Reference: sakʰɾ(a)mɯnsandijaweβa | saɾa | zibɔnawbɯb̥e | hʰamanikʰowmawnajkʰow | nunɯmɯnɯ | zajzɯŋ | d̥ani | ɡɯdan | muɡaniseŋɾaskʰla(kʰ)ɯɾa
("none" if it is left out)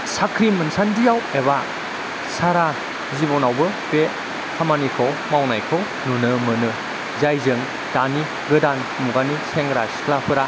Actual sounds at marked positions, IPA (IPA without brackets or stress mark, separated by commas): i, pʰ